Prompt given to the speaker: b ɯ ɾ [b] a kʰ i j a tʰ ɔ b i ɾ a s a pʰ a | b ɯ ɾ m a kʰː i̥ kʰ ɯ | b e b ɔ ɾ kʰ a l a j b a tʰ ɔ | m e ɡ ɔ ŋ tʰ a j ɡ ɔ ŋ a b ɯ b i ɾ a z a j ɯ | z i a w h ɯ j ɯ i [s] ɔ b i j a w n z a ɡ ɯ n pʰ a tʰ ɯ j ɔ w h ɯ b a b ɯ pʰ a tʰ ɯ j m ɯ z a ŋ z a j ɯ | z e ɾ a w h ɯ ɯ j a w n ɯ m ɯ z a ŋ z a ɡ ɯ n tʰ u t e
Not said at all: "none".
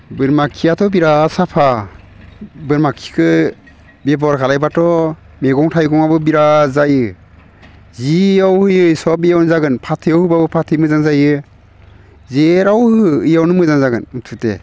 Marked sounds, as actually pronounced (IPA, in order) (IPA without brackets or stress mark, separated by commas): m, s